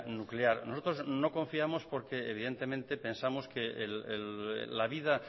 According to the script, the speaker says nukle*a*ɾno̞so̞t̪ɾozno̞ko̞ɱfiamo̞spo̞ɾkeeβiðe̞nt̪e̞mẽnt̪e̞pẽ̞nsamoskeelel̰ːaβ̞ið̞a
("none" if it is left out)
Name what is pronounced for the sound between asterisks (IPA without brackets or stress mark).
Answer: a